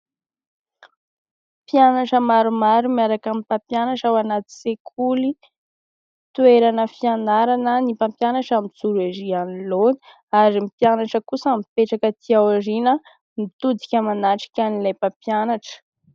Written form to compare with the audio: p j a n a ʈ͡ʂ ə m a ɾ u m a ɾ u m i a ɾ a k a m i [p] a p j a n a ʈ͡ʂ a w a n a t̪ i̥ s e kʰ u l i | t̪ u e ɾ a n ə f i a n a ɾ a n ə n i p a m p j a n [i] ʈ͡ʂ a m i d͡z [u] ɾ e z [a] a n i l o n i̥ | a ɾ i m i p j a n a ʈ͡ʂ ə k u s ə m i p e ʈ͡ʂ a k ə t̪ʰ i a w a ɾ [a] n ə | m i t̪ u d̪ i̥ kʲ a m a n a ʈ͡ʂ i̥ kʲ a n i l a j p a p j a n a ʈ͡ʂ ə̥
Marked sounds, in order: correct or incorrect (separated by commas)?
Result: correct, incorrect, correct, incorrect, incorrect